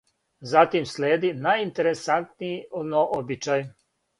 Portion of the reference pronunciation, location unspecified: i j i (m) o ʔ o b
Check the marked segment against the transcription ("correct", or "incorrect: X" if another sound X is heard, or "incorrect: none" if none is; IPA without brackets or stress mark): incorrect: n